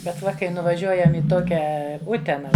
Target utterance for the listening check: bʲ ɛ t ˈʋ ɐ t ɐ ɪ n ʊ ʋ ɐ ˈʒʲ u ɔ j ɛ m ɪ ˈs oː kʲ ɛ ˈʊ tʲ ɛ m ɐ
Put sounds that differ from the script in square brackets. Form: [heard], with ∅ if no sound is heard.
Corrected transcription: bʲ ɛ t ˈʋ ɐ [k] ɐ ɪ n ʊ ʋ ɐ ˈʒʲ u ɔ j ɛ m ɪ [ˈt] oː kʲ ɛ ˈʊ tʲ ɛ [n] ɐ